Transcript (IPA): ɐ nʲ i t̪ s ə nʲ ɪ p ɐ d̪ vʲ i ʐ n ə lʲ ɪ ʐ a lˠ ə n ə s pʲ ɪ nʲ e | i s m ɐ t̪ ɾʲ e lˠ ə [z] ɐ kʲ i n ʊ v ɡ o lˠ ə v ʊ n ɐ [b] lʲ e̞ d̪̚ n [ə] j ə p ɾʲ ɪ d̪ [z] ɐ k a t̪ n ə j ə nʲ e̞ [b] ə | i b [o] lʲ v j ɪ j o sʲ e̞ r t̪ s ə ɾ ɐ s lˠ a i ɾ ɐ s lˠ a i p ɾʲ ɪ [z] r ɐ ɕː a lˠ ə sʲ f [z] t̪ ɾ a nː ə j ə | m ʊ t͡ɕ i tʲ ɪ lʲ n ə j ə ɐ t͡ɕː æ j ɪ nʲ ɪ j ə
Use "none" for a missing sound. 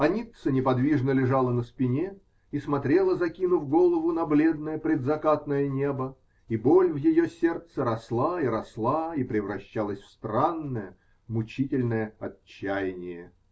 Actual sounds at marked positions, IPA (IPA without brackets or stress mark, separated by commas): z, b, ə, z, b, o, v, s